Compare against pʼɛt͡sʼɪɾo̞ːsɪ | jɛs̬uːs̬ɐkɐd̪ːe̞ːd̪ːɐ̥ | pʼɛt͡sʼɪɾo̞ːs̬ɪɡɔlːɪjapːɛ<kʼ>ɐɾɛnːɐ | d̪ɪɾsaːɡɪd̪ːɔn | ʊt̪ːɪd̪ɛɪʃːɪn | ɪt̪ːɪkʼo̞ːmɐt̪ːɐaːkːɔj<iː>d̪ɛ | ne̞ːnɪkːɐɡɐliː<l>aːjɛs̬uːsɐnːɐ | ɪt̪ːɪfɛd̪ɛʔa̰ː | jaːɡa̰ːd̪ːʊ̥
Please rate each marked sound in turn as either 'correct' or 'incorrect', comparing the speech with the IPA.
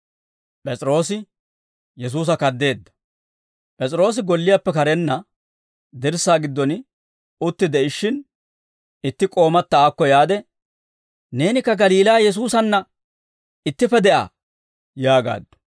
incorrect, incorrect, correct

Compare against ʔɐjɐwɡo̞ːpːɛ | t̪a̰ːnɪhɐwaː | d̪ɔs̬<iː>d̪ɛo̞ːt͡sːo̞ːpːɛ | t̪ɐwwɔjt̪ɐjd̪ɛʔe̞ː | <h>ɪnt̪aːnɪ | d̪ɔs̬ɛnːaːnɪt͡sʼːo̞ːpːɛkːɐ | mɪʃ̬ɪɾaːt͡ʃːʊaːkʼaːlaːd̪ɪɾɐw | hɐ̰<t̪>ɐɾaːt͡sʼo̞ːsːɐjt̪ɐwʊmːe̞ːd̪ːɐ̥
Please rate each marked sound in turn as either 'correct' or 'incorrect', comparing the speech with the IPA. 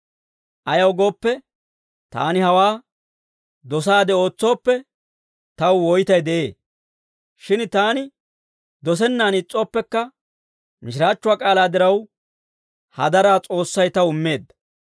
incorrect, incorrect, incorrect

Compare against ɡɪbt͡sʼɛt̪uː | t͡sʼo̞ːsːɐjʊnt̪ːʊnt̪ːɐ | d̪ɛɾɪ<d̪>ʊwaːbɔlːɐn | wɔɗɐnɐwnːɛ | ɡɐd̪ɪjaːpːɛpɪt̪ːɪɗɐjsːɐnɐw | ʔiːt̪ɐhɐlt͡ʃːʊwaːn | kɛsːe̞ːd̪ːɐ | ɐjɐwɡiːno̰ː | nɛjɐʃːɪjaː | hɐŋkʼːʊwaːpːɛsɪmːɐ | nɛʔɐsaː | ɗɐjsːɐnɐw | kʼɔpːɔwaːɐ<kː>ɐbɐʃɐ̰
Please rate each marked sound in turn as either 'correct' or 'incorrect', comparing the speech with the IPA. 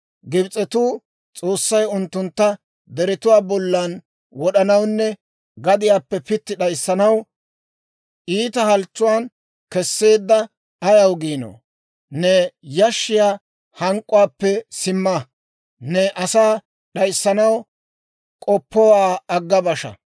incorrect, incorrect

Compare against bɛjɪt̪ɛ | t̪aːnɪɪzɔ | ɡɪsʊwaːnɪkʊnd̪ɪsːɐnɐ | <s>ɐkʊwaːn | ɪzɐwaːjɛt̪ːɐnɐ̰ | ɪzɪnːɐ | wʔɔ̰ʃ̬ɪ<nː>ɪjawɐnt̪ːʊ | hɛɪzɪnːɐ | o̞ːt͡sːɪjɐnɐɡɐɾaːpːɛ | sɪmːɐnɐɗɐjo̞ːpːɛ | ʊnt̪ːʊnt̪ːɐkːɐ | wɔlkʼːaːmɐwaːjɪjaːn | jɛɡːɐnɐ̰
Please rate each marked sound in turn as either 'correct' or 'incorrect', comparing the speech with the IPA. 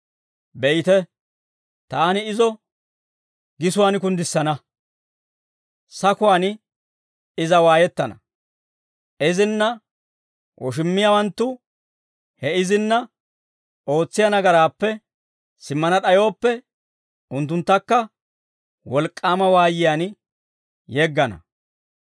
correct, incorrect

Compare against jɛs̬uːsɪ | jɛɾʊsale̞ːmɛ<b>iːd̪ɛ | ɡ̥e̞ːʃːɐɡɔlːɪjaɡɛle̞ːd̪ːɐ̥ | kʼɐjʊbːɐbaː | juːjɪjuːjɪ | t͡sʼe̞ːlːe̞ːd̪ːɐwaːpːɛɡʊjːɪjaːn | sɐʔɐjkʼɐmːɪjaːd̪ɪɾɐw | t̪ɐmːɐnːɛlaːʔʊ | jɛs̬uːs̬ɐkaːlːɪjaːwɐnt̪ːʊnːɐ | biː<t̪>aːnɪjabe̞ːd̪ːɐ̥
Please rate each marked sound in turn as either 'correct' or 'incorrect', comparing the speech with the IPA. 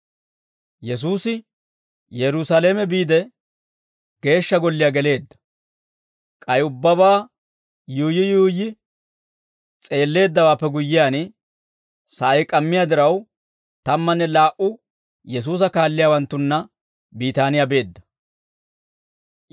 correct, correct

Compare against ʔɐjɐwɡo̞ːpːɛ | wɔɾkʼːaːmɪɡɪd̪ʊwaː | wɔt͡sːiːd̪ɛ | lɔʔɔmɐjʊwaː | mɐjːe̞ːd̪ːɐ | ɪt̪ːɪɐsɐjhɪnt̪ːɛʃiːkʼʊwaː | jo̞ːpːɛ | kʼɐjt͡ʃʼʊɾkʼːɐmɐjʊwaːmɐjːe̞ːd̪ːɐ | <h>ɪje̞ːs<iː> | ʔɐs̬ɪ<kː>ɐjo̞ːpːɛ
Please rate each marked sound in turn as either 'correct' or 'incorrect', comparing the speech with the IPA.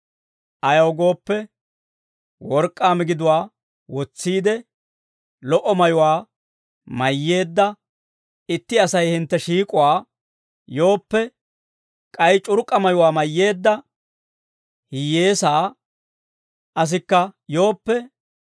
correct, incorrect, correct

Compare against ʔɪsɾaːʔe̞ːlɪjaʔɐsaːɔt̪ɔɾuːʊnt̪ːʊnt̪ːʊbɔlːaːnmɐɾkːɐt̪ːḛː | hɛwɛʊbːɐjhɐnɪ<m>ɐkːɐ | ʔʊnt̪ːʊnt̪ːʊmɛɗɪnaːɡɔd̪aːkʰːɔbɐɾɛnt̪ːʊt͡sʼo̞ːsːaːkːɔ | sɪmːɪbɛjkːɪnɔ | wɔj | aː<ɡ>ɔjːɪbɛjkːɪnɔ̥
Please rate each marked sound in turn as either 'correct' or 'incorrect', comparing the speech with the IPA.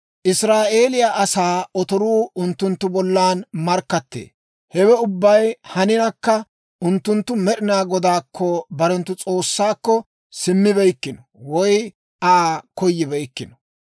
incorrect, incorrect

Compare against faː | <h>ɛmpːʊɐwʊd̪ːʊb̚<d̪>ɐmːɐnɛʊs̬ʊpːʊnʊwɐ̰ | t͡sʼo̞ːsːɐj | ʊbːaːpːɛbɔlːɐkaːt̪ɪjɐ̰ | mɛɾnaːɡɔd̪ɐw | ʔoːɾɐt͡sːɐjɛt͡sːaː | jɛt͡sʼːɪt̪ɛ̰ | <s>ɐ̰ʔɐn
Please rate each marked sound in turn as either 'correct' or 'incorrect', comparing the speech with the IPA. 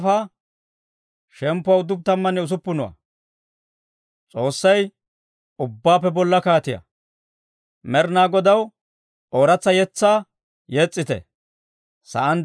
incorrect, incorrect, correct

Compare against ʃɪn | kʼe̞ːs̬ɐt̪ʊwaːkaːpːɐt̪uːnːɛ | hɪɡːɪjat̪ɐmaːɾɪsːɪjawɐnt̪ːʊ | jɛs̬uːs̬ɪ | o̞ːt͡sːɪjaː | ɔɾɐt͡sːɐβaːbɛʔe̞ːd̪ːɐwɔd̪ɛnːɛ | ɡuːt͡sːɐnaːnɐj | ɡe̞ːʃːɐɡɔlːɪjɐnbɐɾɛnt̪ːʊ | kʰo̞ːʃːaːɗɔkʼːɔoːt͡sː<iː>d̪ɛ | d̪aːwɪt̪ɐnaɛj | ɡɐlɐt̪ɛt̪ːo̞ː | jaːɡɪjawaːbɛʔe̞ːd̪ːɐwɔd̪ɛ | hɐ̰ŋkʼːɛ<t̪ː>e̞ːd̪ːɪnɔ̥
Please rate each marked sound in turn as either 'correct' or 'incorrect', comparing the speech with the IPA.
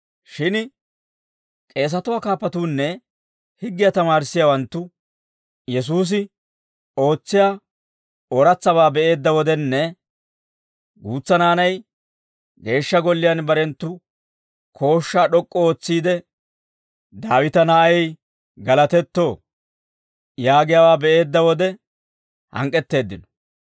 correct, correct

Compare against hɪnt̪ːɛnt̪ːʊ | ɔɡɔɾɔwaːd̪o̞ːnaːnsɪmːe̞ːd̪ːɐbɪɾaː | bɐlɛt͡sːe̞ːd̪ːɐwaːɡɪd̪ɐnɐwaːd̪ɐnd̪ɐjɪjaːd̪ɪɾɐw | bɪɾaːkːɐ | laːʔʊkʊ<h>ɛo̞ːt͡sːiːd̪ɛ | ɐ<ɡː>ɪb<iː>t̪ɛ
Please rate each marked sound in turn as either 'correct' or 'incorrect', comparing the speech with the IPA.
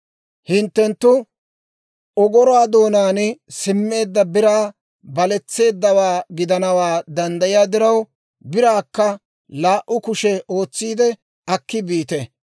incorrect, incorrect, correct

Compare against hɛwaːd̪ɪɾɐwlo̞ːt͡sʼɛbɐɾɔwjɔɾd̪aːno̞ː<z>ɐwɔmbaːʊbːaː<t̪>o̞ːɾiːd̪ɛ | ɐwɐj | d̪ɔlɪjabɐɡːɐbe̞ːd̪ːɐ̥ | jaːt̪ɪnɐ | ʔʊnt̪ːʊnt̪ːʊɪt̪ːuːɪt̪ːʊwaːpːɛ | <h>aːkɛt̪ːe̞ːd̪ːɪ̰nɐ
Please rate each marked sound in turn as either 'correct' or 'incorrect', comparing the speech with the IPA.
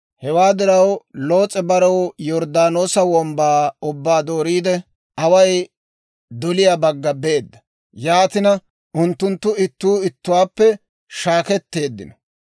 incorrect, incorrect, incorrect

